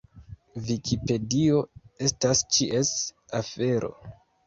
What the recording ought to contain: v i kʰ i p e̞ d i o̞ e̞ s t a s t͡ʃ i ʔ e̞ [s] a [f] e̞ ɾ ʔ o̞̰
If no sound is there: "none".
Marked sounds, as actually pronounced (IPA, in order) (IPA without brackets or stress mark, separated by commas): s, f